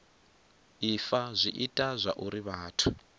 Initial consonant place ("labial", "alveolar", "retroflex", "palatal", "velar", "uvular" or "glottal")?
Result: labial